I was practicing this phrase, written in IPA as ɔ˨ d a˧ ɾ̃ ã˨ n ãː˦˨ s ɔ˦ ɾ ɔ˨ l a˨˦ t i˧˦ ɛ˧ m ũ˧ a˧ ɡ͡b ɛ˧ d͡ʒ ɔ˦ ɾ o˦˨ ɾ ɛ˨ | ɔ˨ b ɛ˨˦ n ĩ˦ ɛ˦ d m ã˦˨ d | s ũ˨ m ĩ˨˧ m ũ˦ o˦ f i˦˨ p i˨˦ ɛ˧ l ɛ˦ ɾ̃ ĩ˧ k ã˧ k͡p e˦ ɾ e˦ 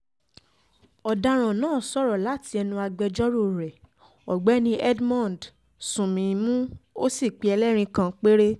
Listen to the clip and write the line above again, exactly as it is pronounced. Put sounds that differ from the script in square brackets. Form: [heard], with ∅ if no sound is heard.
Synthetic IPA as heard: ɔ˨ d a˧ ɾ̃ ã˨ n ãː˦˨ s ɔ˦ ɾ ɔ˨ l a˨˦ t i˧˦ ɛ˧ [n] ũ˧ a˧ ɡ͡b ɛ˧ d͡ʒ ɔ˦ ɾ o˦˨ ɾ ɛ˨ | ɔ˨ [ɡ͡b] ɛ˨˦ n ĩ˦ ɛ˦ d m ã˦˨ d | s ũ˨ m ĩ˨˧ m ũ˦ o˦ [s] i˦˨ [k͡p] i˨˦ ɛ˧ l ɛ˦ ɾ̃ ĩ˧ k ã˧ k͡p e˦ ɾ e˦

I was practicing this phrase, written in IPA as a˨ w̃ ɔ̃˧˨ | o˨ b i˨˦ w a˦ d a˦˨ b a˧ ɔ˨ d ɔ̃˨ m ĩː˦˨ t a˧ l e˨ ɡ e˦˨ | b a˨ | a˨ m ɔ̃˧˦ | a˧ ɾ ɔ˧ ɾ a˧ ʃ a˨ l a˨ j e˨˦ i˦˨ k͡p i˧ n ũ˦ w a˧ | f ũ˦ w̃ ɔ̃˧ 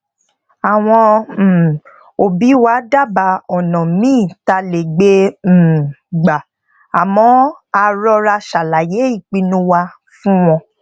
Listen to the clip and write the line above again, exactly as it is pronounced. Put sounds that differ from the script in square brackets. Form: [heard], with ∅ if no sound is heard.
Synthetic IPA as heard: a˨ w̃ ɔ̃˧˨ | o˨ b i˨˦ w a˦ d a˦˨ b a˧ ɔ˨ [n] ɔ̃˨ m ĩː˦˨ t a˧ l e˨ [ɡ͡b] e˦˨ | [ɡ͡b] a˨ | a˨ m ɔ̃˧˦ | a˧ ɾ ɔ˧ ɾ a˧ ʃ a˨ l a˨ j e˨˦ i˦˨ k͡p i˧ n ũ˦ w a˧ | f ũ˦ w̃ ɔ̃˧

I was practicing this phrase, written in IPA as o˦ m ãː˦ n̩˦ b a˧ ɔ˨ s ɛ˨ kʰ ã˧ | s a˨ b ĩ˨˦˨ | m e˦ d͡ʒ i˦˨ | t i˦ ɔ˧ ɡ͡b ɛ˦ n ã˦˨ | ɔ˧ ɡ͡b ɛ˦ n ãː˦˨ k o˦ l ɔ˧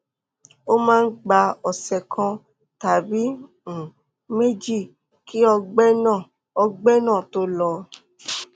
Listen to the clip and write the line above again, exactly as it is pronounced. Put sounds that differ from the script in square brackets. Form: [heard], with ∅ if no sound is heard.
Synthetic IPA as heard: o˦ m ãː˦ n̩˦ [ɡ͡b] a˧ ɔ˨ s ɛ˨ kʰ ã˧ | [t] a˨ b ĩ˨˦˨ | m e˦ d͡ʒ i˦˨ | [k] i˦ ɔ˧ ɡ͡b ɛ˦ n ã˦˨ | ɔ˧ ɡ͡b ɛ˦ n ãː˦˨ [t] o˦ l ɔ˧

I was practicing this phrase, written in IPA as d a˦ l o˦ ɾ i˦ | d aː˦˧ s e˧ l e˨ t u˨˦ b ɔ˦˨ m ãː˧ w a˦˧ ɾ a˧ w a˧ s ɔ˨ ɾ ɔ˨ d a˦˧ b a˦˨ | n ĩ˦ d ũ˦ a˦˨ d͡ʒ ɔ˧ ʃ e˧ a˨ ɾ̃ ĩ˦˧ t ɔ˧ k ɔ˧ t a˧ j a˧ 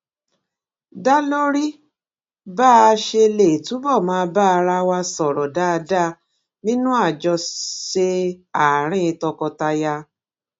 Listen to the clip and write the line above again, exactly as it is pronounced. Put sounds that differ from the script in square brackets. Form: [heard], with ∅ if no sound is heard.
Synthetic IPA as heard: d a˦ l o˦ ɾ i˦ | [b] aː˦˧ [ʃ] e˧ l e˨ t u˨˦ b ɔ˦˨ m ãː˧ [b] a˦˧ ɾ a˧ w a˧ s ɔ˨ ɾ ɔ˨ d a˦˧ [d] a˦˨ | n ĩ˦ [n] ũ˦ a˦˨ d͡ʒ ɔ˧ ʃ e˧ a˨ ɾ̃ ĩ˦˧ t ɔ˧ k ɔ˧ t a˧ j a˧

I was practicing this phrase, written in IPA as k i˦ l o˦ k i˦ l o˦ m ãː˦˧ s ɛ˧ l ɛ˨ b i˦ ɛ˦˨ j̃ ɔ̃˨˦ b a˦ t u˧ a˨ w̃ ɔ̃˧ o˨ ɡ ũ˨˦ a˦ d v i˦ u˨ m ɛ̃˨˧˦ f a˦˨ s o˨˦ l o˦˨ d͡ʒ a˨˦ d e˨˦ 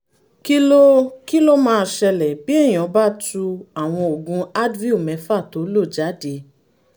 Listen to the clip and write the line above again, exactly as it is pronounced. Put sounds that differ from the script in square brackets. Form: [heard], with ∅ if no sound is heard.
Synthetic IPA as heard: k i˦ l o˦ k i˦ l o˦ m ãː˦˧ [ʃ] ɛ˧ l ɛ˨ b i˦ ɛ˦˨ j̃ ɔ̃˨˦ b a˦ t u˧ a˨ w̃ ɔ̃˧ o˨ ɡ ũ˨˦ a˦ d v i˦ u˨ m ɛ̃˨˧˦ f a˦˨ [t] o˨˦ l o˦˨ d͡ʒ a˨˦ d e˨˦

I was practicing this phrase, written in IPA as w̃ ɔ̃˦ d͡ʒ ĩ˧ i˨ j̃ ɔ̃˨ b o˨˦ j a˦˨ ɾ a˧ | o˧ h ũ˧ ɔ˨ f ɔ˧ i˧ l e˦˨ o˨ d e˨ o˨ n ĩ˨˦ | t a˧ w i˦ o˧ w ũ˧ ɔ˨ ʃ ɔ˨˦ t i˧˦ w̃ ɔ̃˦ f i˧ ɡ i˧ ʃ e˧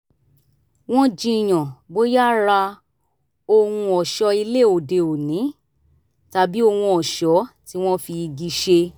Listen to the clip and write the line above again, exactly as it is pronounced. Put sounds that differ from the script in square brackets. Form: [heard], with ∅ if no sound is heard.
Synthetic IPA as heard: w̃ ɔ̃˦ d͡ʒ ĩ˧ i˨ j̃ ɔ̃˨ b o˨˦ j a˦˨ ɾ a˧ | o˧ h ũ˧ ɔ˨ [ʃ] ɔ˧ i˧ l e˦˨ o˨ d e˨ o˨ n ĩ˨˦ | t a˧ [b] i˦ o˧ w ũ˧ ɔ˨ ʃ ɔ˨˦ t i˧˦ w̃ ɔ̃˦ f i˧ ɡ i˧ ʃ e˧

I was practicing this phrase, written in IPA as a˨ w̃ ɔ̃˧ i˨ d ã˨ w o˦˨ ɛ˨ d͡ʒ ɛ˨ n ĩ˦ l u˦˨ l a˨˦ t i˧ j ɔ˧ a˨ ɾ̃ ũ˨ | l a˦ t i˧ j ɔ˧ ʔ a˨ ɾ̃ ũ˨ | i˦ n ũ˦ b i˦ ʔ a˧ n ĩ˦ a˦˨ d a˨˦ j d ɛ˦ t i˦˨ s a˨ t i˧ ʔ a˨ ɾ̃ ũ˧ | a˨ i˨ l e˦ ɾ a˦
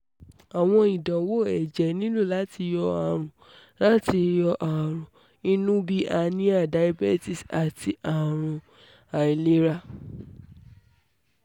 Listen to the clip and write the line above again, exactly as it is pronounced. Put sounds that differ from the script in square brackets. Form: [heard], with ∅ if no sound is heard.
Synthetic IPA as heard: a˨ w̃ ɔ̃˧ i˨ d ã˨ w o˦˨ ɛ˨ d͡ʒ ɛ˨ n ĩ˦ l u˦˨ l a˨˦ t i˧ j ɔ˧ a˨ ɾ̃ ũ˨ | l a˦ t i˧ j ɔ˧ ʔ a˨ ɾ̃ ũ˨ | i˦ n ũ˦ b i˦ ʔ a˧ n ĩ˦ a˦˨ d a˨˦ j [b] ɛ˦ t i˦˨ s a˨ t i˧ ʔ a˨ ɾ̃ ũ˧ | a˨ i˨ l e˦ ɾ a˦

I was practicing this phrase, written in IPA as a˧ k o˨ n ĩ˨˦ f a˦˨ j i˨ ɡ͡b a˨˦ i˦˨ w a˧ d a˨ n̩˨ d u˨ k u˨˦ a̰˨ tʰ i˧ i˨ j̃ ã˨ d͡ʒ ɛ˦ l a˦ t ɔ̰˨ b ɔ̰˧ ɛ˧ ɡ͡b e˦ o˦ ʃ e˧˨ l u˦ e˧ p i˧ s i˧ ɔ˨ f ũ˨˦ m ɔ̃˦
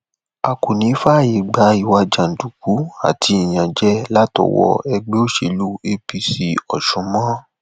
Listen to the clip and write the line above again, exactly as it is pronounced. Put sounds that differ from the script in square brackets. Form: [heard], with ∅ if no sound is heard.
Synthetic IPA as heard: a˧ k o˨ n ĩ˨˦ f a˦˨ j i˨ ɡ͡b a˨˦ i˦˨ w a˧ [d͡ʒ] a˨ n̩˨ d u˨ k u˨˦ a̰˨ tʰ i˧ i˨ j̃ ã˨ d͡ʒ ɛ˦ l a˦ t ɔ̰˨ [w] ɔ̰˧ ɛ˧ ɡ͡b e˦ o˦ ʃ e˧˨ l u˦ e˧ p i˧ s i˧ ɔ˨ [ʃ] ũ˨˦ m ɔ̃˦

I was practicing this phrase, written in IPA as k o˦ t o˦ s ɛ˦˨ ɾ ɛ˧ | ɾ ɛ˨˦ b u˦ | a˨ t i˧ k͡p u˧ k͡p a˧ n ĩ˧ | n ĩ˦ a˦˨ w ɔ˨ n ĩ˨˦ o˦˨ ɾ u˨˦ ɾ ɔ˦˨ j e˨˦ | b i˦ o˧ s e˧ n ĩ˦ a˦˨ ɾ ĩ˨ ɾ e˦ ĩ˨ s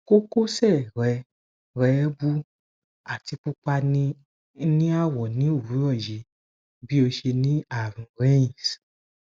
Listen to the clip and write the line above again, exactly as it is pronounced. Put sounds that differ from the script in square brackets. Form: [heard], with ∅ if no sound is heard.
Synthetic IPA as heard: k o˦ [k] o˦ s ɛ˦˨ ɾ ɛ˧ | ɾ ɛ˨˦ b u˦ | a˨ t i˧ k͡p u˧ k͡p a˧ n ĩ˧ | n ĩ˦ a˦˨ w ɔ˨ n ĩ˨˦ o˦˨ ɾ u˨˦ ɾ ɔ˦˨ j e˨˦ | b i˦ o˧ [ʃ] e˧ n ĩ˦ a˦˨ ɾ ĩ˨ ɾ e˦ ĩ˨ s

